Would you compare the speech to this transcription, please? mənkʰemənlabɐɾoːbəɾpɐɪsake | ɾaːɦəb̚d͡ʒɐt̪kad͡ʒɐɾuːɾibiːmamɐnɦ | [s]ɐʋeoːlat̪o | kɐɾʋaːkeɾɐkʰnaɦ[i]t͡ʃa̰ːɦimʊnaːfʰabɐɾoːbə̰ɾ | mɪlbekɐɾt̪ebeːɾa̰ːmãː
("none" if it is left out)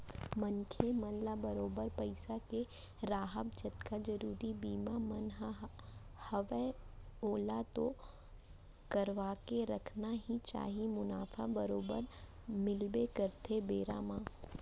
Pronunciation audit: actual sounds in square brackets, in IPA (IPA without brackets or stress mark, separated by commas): h, i